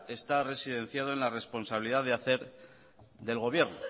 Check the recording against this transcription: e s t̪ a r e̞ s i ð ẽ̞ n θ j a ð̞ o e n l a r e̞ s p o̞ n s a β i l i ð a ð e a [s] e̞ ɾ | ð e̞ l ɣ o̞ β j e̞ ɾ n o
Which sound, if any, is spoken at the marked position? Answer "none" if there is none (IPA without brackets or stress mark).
θ